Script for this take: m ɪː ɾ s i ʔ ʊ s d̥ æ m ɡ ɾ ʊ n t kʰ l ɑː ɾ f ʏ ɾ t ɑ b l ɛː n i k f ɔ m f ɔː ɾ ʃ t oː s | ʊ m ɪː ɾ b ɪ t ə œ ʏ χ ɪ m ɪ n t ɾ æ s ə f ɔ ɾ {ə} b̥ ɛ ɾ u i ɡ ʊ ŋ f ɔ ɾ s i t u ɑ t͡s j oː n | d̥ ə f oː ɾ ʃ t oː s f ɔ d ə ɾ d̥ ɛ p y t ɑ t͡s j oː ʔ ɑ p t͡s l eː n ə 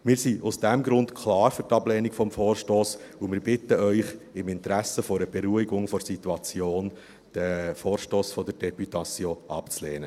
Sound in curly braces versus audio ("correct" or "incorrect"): correct